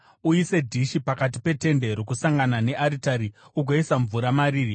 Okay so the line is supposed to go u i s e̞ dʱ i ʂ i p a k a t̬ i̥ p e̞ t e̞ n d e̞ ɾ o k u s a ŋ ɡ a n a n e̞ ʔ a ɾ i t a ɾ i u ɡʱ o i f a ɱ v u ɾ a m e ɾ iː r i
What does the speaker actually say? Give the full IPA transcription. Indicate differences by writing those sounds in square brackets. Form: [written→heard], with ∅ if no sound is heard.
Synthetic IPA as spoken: u i s e̞ dʱ i [ʂ→ʃ] i p a k a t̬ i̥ p e̞ t e̞ n d e̞ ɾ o k u s a ŋ ɡ a n a n e̞ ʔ a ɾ i t a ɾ i u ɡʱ o i [f→s] a ɱ v u ɾ a m [e→a] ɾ iː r i